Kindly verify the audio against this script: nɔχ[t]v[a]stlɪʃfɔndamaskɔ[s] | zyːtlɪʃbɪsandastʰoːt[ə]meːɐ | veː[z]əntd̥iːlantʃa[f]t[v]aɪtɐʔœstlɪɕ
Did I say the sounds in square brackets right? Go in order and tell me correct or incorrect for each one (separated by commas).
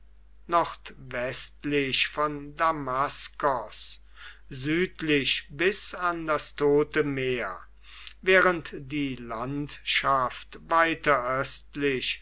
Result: correct, incorrect, correct, correct, incorrect, correct, correct